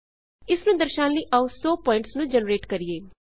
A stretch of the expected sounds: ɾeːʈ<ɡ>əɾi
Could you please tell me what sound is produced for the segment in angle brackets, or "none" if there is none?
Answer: k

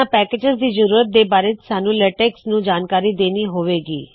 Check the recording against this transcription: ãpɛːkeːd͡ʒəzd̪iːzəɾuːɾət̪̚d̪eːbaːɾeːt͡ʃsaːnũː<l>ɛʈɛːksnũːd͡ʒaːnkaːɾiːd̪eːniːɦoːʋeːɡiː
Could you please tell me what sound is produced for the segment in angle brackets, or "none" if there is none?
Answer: l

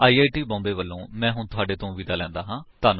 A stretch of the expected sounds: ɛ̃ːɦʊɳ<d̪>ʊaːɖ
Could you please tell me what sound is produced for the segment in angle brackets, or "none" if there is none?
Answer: t̪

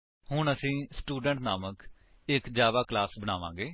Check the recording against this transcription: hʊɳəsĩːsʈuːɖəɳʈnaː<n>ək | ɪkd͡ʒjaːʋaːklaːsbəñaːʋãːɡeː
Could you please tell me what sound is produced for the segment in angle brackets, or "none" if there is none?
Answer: m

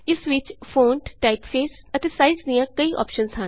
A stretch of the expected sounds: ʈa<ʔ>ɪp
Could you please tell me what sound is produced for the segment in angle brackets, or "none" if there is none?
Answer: none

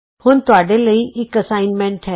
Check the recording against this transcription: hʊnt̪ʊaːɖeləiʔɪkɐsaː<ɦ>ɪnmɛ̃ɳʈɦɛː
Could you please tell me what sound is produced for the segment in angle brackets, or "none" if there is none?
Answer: none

